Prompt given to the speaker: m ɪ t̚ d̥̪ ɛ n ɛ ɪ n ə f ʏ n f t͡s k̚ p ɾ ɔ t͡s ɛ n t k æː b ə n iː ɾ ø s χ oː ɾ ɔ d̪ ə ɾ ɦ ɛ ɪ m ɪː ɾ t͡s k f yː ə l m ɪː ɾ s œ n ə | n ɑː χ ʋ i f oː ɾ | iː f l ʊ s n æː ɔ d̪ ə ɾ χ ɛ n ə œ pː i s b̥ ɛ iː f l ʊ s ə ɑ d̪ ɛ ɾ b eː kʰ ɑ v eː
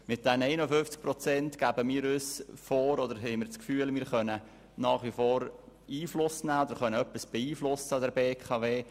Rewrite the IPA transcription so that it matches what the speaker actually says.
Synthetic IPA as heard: m ɪ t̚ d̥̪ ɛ n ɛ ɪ n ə f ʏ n f t͡s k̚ p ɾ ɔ t͡s ɛ n t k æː b ə m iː ɾ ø s f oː ɾ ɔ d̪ ə ɾ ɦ ɛ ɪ m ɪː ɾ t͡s k f yː ə l m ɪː ɾ χ œ n ə | n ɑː χ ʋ i f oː ɾ | iː f l ʊ s n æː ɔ d̪ ə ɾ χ œ n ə œ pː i s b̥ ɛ iː f l ʊ s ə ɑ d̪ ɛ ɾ b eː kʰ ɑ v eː